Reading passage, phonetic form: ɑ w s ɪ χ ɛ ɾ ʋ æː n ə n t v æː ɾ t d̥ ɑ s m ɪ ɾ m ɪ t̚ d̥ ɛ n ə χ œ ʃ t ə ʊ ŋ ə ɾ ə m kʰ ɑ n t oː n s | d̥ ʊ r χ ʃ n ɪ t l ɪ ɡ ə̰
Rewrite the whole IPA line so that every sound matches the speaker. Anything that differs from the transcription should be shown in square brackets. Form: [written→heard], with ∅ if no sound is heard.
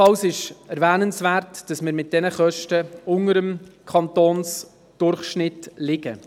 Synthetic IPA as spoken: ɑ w s ɪ [χ→ʃ] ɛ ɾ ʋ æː n ə n [t→s] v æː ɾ t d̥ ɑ s m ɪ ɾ m ɪ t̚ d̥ ɛ n ə χ œ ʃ t ə ʊ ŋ ə ɾ ə m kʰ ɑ n t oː n s | d̥ ʊ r χ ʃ n ɪ t l ɪ ɡ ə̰